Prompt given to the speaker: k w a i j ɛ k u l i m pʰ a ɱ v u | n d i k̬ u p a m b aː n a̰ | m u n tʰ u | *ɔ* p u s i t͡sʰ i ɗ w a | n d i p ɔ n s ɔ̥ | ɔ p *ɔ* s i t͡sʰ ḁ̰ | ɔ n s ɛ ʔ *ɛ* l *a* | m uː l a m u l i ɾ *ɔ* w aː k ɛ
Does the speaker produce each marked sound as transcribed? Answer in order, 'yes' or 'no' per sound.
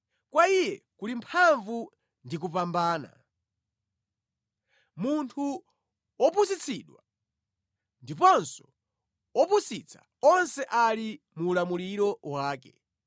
yes, no, no, no, yes

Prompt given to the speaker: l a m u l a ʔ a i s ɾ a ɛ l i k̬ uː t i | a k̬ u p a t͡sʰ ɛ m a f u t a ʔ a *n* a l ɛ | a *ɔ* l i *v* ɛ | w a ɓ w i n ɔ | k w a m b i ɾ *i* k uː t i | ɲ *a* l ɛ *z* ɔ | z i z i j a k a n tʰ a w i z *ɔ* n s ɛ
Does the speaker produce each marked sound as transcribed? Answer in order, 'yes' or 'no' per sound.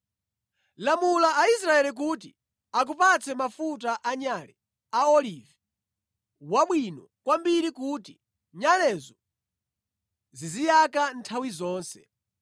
no, yes, yes, yes, yes, yes, no

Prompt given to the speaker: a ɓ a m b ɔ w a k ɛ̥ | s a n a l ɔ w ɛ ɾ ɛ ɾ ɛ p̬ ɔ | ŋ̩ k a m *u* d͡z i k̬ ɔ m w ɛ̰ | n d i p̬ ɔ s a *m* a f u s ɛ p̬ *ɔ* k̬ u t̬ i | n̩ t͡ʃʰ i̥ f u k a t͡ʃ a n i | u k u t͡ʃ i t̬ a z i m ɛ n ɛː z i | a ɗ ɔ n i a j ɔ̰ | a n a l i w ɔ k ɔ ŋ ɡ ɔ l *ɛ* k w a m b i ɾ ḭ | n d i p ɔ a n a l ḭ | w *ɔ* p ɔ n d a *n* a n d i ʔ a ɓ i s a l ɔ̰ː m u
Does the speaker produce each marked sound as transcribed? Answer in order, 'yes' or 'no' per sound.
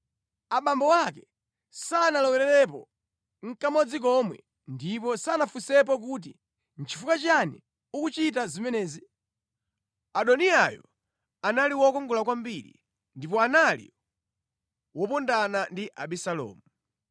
no, no, yes, no, yes, yes

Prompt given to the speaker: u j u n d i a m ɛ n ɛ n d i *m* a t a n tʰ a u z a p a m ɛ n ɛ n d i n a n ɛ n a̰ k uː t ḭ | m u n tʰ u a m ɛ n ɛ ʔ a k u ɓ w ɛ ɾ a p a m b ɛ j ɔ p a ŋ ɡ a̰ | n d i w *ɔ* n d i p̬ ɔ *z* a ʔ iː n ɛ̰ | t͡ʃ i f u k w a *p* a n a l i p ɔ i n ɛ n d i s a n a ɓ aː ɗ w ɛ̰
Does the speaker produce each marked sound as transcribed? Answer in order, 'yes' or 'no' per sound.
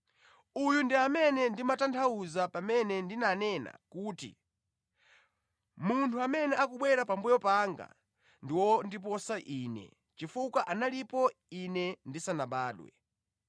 yes, yes, no, no

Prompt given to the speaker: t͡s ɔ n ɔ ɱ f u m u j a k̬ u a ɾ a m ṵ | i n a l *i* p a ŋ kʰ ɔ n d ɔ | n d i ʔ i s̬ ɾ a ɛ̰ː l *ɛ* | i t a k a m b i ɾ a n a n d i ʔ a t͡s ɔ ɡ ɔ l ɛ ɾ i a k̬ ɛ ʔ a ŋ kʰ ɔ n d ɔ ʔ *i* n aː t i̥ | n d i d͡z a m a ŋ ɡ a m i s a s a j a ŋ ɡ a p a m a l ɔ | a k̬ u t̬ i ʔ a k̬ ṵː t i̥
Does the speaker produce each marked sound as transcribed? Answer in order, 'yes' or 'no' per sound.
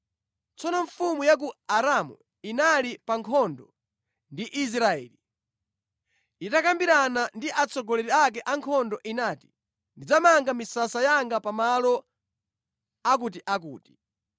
yes, no, yes

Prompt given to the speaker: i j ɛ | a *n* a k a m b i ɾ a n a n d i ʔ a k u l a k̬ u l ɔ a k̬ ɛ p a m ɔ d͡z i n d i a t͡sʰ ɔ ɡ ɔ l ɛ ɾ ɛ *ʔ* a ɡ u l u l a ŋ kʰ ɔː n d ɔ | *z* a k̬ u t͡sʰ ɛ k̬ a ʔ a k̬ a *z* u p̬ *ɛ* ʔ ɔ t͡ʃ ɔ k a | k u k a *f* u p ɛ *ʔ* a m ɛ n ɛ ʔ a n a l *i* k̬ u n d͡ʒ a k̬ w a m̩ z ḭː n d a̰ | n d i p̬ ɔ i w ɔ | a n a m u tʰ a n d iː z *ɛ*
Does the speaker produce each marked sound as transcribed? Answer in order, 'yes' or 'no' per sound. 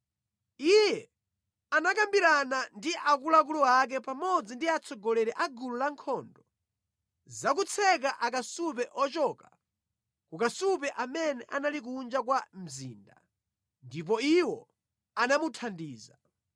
yes, yes, yes, no, yes, no, yes, yes, no

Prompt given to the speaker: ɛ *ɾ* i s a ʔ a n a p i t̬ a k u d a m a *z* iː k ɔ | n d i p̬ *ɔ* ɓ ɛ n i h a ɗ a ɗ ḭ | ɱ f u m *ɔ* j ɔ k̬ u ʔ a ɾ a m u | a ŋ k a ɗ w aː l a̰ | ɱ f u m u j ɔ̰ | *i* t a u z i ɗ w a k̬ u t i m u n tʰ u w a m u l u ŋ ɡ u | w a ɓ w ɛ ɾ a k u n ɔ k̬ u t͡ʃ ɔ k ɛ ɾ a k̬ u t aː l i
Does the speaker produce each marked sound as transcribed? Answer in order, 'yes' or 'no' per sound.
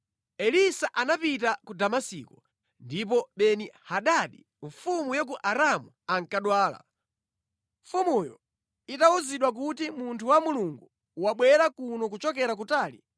no, no, yes, no, yes

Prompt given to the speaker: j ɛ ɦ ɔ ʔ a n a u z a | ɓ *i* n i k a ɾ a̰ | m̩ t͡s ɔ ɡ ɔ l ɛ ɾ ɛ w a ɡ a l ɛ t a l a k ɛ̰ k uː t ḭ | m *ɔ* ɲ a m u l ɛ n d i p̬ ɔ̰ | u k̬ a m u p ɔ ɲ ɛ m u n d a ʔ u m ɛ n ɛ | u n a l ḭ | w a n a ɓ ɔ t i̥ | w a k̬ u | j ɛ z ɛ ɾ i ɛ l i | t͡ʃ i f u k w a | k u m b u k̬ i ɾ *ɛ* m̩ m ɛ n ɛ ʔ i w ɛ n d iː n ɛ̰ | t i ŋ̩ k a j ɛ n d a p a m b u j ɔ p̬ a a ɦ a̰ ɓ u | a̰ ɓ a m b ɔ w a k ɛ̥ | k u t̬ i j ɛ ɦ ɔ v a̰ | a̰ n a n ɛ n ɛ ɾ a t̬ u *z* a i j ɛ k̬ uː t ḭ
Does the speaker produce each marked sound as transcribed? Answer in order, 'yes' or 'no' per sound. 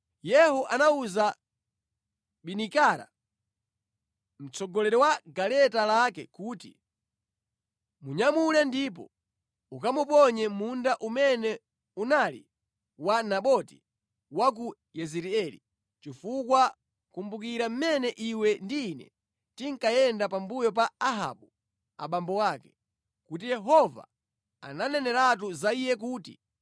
yes, no, no, yes

